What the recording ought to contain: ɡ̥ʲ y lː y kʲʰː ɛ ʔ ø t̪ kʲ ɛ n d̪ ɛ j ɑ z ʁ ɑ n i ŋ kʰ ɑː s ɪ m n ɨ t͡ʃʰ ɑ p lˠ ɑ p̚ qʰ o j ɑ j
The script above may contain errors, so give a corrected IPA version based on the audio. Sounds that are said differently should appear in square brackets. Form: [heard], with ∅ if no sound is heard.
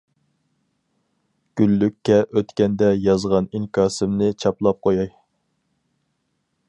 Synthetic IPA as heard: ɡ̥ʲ y lː y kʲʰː ɛ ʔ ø t̪ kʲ ɛ n d̪ ɛ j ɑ z ʁ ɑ n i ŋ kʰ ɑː s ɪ m n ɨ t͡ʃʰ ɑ p lˠ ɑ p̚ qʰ o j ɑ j